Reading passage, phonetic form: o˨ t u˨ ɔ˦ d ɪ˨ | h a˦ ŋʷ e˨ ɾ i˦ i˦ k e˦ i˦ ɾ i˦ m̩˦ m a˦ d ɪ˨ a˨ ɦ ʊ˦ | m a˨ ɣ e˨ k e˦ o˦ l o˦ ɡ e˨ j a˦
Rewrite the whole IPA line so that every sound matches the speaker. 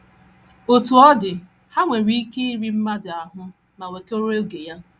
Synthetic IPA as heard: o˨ t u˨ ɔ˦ d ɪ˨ | h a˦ ŋʷ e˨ ɾ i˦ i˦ k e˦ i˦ ɾ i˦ m̩˦ m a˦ d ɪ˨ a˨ ɦ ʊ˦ | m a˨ w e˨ k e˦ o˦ ɾ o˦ ɡ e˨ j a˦